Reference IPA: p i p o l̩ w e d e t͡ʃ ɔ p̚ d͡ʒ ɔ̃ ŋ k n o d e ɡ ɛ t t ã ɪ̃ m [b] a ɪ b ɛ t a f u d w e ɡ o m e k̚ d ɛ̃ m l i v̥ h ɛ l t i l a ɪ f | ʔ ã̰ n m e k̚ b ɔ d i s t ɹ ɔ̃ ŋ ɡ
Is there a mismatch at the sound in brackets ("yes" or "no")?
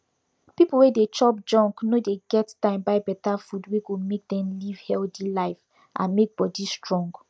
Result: no